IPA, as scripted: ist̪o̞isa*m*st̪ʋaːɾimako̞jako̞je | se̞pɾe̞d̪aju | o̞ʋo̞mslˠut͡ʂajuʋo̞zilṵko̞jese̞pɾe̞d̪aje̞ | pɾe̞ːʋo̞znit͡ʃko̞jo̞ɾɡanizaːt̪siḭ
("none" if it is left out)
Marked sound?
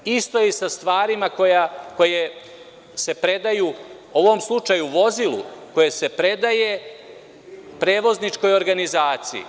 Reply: none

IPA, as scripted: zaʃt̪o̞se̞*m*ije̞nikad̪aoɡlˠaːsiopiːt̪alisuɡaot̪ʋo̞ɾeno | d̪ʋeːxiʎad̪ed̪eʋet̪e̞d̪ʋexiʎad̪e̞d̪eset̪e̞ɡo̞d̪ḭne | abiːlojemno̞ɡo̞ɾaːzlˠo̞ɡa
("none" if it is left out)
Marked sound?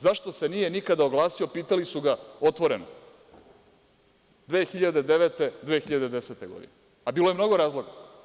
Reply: n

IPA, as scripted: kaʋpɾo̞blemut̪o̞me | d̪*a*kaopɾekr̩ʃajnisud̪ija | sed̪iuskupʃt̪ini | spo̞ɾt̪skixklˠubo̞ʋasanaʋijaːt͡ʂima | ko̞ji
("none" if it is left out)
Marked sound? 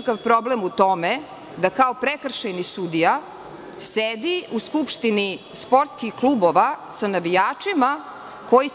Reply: a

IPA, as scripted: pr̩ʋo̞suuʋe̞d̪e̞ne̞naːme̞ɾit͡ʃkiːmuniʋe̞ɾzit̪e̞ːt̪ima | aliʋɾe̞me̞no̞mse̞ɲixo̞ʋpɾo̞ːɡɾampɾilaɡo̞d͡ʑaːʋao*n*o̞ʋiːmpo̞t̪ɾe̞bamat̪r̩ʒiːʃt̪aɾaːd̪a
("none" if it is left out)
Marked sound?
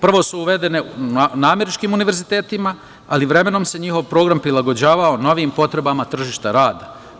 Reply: n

